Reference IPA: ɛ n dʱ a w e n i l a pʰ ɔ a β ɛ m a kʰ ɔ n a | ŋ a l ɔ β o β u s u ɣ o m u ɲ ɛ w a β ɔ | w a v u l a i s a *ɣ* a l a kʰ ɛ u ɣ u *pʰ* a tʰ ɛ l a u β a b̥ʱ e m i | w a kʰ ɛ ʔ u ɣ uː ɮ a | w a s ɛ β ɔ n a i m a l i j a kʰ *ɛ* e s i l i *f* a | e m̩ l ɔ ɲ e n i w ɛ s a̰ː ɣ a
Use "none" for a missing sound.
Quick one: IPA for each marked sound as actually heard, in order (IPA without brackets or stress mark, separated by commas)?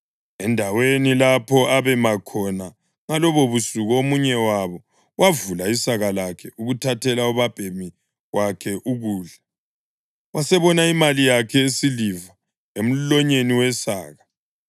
ɣ, tʰ, ɛ, v